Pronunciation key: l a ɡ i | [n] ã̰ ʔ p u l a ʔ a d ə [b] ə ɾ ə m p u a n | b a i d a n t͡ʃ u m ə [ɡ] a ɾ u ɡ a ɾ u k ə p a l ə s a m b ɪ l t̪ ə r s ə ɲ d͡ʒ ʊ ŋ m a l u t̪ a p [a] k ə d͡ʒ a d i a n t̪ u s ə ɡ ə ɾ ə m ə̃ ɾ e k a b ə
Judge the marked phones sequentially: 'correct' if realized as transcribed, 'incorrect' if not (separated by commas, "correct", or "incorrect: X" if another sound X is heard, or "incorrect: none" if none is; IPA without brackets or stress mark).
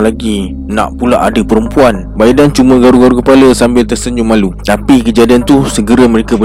correct, incorrect: p, correct, incorrect: i